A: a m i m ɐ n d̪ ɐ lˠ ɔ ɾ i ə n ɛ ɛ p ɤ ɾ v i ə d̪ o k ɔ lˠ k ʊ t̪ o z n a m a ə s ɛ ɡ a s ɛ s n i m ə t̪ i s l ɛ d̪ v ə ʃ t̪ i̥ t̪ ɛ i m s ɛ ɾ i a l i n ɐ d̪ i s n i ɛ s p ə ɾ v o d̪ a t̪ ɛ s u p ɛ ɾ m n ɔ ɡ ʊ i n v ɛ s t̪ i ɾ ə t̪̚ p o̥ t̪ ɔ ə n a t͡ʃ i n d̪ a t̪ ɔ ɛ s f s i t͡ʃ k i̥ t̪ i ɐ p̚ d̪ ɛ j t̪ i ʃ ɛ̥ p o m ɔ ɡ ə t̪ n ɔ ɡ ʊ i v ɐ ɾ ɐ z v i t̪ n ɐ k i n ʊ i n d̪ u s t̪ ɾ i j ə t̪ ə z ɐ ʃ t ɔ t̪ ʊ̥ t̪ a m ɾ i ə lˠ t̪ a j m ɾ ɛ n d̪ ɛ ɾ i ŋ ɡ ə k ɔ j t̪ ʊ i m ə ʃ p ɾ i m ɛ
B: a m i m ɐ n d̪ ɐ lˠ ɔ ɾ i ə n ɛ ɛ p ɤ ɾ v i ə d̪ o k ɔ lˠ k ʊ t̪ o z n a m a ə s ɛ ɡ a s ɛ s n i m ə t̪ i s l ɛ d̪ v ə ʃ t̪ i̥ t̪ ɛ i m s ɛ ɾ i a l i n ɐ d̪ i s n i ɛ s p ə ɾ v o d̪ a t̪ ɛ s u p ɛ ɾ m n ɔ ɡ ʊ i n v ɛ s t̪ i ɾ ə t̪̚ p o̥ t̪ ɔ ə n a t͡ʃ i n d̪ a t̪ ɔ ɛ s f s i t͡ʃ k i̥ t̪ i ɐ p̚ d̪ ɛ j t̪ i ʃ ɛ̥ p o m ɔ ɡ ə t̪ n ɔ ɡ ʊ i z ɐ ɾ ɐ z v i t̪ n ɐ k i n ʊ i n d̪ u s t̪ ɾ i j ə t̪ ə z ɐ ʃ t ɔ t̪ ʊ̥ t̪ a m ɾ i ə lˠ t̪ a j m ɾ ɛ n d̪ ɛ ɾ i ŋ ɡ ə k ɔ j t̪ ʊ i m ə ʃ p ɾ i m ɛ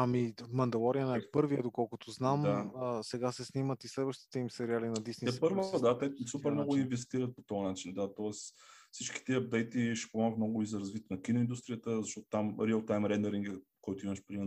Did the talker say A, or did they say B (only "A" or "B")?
B